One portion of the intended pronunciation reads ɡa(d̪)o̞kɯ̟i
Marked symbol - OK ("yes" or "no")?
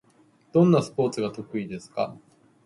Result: no